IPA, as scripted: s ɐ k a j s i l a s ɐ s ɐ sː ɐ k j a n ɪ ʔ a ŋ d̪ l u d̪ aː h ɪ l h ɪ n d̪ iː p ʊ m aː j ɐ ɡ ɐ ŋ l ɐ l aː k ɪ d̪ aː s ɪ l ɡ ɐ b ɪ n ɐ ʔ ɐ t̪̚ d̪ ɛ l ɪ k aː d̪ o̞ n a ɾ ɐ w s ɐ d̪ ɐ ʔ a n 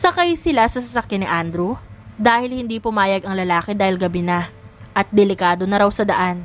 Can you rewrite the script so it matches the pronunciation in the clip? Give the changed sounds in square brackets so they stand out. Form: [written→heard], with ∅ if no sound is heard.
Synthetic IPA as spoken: s ɐ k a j s [i→ɪ] l a s ɐ s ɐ [sː→s] ɐ k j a n ɪ ʔ a [ŋ→n] d̪ [l→ɾ] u d̪ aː h ɪ l h ɪ n d̪ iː p ʊ m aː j ɐ ɡ ɐ ŋ l ɐ l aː k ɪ d̪ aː [s→h] ɪ l ɡ ɐ b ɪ n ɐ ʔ ɐ t̪̚ d̪ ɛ l ɪ k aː d̪ o̞ n [a→ɐ] ɾ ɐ w s ɐ d̪ ɐ ʔ a n